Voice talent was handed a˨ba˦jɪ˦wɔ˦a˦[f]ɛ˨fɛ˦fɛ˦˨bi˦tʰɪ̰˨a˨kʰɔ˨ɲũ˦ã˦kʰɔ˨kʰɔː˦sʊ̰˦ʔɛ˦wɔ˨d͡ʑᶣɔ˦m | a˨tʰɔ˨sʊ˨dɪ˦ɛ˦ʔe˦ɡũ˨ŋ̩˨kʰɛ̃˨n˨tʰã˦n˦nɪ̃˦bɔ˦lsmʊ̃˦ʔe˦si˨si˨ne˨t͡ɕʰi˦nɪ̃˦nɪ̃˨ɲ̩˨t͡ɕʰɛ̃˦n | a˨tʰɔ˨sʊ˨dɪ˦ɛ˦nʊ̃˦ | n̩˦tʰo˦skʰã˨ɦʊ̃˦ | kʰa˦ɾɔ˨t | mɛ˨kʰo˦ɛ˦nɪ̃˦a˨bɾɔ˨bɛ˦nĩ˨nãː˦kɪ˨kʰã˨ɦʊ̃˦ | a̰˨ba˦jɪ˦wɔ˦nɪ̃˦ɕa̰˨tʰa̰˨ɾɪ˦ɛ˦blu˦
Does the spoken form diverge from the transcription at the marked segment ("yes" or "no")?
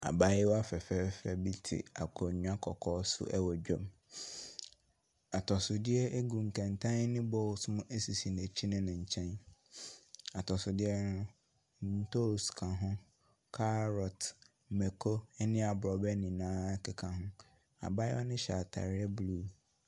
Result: no